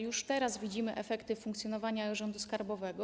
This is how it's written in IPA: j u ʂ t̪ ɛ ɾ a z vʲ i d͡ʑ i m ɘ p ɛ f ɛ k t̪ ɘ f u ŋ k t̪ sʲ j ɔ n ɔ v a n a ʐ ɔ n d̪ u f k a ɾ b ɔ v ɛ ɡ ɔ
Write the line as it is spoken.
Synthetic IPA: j u ʂ t̪ ɛ ɾ a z vʲ i d͡ʑ i m ɘ ʔ ɛ f ɛ k t̪ ɘ f u ŋ k t̪ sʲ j ɔ n ɔ v a ɲ a ʐ ɔ n d̪ u s k a ɾ b ɔ v ɛ ɡ ɔ